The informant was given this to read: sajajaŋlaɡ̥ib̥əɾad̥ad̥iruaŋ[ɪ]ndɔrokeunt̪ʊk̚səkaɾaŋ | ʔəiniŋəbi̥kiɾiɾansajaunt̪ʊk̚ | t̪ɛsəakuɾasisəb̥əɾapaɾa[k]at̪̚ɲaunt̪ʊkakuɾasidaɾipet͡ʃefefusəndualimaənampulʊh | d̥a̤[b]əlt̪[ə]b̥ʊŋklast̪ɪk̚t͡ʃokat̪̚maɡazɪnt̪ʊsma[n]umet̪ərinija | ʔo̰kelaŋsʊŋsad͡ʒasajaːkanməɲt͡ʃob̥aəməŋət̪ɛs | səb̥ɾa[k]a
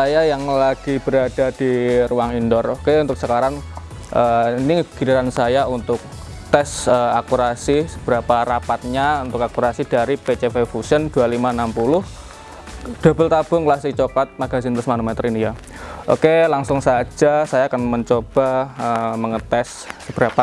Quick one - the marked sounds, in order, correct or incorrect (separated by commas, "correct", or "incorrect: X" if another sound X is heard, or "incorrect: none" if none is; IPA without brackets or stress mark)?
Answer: incorrect: i, incorrect: p, correct, incorrect: a, correct, incorrect: p